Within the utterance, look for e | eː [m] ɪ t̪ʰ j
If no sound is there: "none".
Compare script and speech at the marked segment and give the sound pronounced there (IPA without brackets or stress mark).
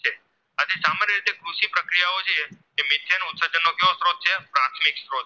m